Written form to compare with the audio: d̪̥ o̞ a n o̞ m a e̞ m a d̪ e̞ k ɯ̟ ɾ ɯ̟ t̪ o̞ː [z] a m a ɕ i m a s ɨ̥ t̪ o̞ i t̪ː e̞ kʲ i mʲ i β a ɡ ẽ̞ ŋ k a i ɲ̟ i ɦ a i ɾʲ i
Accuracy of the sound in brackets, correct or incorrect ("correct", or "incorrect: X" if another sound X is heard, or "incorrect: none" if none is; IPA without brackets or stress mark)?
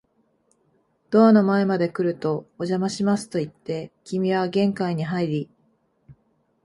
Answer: incorrect: ʑ